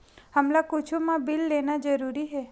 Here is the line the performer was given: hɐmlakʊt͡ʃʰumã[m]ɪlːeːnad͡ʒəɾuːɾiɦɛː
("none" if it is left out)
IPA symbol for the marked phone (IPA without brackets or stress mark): b